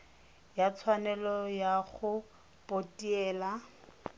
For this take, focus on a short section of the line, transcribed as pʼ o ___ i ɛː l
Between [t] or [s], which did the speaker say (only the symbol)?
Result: t